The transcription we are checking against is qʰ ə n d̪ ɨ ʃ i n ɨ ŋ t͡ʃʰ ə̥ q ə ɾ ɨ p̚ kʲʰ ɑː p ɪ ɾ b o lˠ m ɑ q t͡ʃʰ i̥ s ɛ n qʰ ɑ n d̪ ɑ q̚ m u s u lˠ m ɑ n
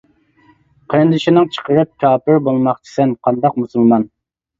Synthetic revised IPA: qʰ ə n d̪ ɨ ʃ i n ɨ ŋ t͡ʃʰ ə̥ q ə ɾ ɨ p̚ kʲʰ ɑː p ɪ ɾ b o lˠ m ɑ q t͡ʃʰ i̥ s ɛ n qʰ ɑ n d̪ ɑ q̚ m u s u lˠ m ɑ n